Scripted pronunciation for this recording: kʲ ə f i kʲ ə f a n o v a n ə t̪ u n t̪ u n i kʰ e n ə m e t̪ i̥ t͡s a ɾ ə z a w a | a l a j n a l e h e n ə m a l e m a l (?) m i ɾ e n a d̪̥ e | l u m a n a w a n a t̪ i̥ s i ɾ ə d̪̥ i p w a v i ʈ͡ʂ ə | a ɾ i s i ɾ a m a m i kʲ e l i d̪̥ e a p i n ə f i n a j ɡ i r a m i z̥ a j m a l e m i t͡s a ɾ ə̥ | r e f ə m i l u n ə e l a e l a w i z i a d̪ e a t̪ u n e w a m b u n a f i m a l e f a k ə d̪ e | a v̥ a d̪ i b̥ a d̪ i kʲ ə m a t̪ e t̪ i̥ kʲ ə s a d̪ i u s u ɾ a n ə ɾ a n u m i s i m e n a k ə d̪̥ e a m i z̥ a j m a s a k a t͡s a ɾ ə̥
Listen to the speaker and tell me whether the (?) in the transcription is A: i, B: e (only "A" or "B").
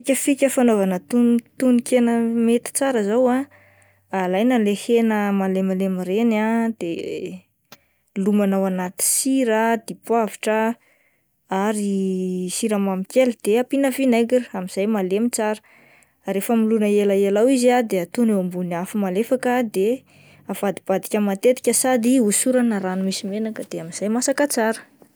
B